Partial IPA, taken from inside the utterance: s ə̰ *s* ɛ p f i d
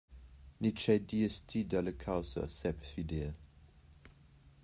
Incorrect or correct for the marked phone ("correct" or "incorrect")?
correct